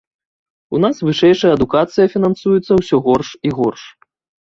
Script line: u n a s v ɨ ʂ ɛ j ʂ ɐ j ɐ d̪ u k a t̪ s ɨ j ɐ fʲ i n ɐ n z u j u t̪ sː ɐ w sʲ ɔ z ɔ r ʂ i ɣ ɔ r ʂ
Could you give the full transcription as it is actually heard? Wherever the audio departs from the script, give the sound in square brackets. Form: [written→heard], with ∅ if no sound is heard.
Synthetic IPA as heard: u n a s v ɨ ʂ ɛ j ʂ ɐ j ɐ d̪ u k a t̪ s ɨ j ɐ fʲ i n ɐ n [z→s] u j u t̪ sː ɐ w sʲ ɔ [z→ɣ] ɔ r ʂ i ɣ ɔ r ʂ